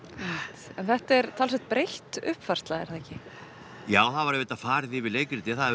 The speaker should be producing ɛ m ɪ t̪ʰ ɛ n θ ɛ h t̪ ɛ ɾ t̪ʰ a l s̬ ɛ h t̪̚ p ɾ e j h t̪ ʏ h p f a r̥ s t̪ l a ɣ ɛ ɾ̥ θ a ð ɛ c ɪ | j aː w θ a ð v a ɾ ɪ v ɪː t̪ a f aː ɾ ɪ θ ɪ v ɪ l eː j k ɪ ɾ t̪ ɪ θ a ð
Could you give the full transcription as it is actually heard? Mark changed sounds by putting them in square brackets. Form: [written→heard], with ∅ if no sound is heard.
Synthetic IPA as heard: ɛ m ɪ [t̪ʰ→t̪] ɛ n θ ɛ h t̪ ɛ ɾ t̪ʰ a l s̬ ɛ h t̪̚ p ɾ e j h t̪ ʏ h p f a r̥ s t̪ l a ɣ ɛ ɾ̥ θ a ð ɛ c ɪ | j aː w θ a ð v a ɾ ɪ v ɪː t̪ a f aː ɾ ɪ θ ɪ v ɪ l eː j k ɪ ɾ t̪ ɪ θ a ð